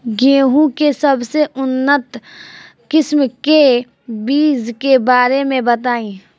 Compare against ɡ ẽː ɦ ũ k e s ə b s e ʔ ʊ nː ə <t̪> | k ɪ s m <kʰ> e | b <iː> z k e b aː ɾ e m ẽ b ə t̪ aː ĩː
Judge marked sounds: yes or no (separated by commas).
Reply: yes, no, yes